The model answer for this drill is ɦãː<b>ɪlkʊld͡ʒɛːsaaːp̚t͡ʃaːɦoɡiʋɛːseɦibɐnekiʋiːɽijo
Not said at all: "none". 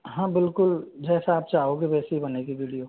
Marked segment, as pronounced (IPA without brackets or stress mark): b